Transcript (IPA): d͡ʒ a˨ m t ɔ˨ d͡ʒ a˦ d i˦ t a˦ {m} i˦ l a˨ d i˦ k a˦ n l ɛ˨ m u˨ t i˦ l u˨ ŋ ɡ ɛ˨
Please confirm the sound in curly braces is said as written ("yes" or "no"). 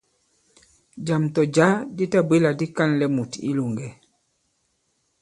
no